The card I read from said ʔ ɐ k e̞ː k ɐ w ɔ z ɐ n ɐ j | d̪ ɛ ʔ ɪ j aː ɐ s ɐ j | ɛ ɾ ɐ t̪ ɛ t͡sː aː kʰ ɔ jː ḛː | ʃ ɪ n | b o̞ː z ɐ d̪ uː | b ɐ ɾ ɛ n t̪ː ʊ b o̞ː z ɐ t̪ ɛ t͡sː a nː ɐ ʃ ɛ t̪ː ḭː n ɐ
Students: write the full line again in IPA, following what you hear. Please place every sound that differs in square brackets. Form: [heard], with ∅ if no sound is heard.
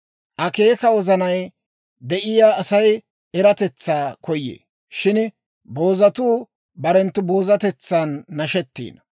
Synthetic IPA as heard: ʔ ɐ k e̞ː k ɐ w ɔ z ɐ n ɐ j | d̪ ɛ ʔ ɪ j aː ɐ s ɐ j | ɛ ɾ ɐ t̪ ɛ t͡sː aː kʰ ɔ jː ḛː | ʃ ɪ n | b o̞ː z ɐ [t̪] uː | b ɐ ɾ ɛ n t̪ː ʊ b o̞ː z ɐ t̪ ɛ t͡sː a nː ɐ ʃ ɛ t̪ː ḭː n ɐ

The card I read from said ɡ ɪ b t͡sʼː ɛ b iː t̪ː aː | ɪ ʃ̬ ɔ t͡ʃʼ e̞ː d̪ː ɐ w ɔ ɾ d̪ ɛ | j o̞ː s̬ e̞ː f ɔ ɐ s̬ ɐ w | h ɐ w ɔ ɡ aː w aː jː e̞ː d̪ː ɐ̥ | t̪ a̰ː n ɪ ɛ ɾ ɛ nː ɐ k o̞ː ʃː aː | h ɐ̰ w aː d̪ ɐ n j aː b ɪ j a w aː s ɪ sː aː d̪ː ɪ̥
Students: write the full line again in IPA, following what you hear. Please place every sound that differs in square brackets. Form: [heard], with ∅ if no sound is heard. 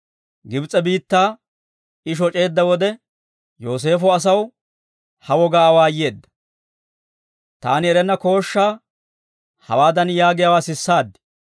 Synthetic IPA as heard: ɡ ɪ b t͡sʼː ɛ b iː t̪ː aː | ɪ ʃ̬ ɔ t͡ʃʼ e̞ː d̪ː ɐ w ɔ [∅] d̪ ɛ | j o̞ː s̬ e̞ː f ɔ ɐ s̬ ɐ w | h ɐ w ɔ ɡ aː w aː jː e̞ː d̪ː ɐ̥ | t̪ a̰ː n ɪ ɛ ɾ ɛ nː ɐ k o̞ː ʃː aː | h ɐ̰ w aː d̪ ɐ n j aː [ɡ] ɪ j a w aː s ɪ sː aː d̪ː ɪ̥

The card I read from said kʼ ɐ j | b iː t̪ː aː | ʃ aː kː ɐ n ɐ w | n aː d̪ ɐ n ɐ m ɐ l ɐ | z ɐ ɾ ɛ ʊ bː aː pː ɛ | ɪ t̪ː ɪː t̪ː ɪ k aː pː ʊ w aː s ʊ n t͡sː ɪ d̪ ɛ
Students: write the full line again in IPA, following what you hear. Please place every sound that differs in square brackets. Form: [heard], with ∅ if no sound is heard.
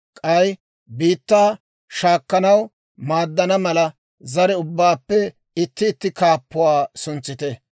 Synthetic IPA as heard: kʼ ɐ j | b iː t̪ː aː | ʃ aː kː ɐ n ɐ w | [m] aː [d̪ː] ɐ n ɐ m ɐ l ɐ | z ɐ ɾ ɛ ʊ bː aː pː ɛ | ɪ t̪ː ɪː t̪ː ɪ k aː pː ʊ w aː s ʊ n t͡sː ɪ [t̪] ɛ

